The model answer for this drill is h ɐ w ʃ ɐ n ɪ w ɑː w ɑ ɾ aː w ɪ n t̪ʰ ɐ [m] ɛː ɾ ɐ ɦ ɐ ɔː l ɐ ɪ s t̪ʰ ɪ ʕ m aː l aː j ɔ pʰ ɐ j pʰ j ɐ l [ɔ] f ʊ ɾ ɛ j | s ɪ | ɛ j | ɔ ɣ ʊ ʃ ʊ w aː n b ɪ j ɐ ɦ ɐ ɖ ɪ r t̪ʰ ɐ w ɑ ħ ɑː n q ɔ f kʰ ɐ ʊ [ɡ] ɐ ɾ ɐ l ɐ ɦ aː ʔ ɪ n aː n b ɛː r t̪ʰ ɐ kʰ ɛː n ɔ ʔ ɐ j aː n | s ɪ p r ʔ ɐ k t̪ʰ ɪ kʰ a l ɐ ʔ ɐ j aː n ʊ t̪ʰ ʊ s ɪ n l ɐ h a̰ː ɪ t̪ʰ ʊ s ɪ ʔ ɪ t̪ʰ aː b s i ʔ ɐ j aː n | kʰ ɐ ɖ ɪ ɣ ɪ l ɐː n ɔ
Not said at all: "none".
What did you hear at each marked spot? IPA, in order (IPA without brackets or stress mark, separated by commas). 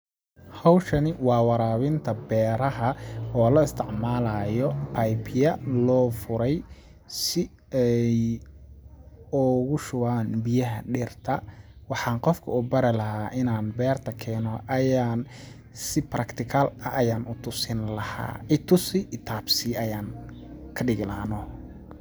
b, ɔː, b